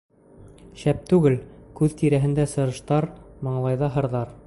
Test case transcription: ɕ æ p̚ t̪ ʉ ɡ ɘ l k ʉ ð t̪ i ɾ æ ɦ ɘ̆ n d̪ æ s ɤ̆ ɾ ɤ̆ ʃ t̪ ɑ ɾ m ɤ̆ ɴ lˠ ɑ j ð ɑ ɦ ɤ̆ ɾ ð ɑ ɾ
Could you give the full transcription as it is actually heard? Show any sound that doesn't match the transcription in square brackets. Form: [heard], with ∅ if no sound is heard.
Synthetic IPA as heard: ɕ æ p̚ t̪ ʉ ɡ ɘ l k ʉ ð t̪ i ɾ æ ɦ ɘ̆ n d̪ æ s ɤ̆ ɾ ɤ̆ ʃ t̪ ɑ ɾ m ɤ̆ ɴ lˠ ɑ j ð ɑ ɦ ɤ̆ ɾ ð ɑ ɾ